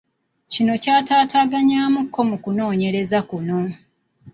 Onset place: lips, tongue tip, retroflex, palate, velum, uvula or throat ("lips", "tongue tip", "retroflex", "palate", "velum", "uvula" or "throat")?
palate